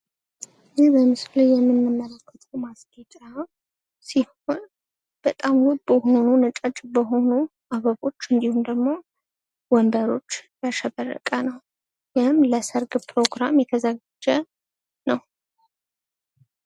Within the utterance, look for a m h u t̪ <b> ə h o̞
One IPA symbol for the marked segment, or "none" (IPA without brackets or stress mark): b